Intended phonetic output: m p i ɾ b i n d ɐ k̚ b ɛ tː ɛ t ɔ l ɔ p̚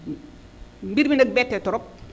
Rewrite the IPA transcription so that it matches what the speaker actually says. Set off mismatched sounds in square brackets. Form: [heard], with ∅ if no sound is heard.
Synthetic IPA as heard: m [b] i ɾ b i n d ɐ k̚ b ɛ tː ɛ t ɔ [ɾ] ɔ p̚

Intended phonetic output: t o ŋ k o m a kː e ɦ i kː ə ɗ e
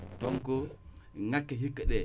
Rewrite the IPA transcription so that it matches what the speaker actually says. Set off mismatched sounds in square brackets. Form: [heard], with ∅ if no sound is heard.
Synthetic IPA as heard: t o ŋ k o [ŋ] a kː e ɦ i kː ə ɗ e

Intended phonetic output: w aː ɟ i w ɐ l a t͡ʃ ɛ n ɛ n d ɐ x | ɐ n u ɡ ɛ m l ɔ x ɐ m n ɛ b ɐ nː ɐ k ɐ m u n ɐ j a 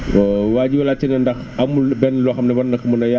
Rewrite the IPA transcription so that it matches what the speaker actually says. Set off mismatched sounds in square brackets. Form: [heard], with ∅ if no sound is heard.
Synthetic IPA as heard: w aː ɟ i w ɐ l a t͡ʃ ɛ n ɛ n d ɐ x | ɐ [m] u [b] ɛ [n] l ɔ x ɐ m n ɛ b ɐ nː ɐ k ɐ m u n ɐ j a

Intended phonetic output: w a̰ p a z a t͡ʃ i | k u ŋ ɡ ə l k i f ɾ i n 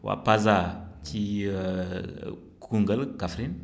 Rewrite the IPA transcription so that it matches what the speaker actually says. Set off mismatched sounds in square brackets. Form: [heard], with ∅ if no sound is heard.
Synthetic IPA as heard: w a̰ p a z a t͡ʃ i | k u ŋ ɡ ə l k [a] f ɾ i n

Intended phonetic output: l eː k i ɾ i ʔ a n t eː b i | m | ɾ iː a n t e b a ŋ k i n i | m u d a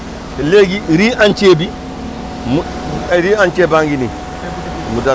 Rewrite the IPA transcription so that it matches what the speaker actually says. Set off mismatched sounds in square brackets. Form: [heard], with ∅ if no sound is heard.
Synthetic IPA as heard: l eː [ɡ] i ɾ i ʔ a n [t͡ʃ] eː b i | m | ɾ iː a n [t͡ʃ] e b a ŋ [ɡ] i n i | m u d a

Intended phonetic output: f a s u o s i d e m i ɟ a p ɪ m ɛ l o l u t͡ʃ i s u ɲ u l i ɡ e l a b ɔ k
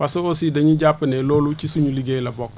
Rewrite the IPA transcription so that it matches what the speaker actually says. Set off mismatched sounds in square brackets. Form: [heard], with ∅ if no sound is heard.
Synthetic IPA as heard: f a s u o s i d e [ɲ] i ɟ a p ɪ [n] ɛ l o l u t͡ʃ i s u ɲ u l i ɡ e l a b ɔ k

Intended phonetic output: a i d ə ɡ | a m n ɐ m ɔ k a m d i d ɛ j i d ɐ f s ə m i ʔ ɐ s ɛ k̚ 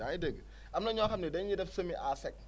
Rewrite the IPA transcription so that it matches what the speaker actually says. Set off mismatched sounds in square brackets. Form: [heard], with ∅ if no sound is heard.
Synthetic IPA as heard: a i d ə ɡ | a m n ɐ [ɲ] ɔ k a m [n] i d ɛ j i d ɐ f s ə m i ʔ [a] s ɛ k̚

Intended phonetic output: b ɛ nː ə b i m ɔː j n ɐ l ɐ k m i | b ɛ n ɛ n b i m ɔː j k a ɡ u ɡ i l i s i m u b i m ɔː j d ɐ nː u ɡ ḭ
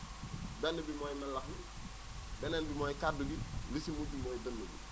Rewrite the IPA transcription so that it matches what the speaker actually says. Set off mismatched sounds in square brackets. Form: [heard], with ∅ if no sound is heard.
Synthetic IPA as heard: b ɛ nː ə b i m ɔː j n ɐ l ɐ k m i | b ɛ n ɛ n b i m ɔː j k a [d] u ɡ i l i s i m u b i m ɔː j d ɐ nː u ɡ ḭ

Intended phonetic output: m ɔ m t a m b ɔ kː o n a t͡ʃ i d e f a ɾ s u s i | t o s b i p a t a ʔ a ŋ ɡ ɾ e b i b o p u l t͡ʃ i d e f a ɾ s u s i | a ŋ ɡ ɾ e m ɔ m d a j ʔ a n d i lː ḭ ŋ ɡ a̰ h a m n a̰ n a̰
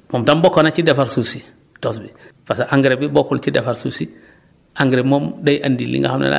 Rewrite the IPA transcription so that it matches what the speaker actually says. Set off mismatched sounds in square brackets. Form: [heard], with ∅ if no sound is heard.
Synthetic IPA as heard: m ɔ m t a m b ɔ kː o n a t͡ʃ i d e f a ɾ s u s i | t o s b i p a [s] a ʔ a ŋ ɡ ɾ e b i b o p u l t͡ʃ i d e f a ɾ s u s i | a ŋ ɡ ɾ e m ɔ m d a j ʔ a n d i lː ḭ ŋ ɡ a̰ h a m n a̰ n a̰

